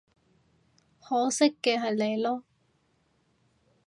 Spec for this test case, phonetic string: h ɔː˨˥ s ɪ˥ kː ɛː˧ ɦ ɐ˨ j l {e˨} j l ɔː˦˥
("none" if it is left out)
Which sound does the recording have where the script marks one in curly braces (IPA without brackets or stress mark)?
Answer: e˨